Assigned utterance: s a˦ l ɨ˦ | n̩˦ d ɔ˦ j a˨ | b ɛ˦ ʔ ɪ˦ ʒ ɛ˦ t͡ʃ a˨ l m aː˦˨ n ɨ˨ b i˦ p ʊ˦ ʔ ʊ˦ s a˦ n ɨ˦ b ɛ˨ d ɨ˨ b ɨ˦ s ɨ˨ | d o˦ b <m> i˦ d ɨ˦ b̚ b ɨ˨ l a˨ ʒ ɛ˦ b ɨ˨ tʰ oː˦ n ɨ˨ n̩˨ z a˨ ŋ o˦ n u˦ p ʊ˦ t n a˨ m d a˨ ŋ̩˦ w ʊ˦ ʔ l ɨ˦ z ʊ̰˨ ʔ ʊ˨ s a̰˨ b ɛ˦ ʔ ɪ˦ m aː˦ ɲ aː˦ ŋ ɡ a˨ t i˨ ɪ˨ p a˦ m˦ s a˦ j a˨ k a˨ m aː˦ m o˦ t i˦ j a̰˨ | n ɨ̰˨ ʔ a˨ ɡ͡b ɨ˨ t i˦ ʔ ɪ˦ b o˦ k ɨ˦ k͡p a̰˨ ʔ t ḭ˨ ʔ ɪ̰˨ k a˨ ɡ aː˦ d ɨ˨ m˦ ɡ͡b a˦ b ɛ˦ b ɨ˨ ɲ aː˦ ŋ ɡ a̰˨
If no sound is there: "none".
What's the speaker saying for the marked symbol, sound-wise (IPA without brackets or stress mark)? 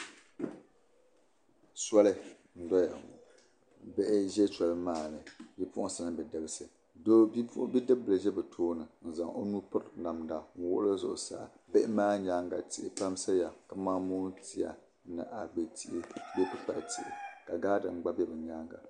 b